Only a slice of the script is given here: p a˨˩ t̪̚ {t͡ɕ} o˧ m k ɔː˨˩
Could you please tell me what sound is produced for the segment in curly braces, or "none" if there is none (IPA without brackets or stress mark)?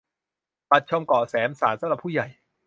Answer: t͡ɕʰ